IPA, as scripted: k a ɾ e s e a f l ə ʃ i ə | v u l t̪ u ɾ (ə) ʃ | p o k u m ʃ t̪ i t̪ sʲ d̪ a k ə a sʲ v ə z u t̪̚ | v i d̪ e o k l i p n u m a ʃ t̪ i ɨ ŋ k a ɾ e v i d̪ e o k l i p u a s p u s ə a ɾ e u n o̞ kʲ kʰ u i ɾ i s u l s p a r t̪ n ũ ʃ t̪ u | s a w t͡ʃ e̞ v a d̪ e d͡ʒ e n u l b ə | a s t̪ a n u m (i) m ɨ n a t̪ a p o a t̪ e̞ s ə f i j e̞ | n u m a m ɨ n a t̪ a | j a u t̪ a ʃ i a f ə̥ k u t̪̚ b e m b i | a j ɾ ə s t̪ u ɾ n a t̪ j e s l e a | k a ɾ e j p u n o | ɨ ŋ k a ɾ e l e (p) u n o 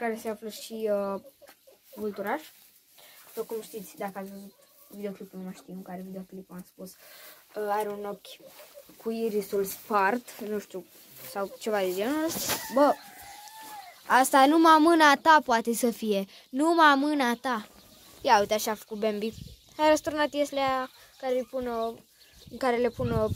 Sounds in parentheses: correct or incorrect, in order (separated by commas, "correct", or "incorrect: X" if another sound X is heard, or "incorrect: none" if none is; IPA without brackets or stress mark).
incorrect: a, incorrect: a, correct